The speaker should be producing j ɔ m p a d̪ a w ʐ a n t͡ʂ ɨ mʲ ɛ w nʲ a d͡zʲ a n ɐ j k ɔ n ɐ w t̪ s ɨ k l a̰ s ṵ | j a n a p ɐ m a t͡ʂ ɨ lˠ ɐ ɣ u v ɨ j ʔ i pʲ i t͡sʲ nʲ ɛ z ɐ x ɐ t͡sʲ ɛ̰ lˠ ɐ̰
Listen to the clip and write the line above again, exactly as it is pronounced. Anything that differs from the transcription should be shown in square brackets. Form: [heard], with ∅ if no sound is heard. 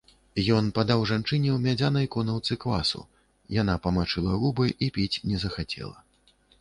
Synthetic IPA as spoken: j ɔ [n] p a d̪ a w ʐ a n t͡ʂ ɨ [nʲ] ɛ w [mʲ] a d͡zʲ a n ɐ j k ɔ n ɐ w t̪ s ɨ k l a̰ s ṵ | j a n a p ɐ m a t͡ʂ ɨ lˠ ɐ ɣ u [b] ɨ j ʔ i pʲ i t͡sʲ nʲ ɛ z ɐ x [a] t͡sʲ ɛ̰ lˠ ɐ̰